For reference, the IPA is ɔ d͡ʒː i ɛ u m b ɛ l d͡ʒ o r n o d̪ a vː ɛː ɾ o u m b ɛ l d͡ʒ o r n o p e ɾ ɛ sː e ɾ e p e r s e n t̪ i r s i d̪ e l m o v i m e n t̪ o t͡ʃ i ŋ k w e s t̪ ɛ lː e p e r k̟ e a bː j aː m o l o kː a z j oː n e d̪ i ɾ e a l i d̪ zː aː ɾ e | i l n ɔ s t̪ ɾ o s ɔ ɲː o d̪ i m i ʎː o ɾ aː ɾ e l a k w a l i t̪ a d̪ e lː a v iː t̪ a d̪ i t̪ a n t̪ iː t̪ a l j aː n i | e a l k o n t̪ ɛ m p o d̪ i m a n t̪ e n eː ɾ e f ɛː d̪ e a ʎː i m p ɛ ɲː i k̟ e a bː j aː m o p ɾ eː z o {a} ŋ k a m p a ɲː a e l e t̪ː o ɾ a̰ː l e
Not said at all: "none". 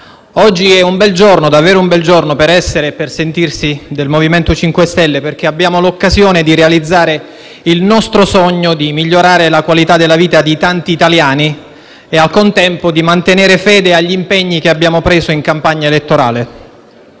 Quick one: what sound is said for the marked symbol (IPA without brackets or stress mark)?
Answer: i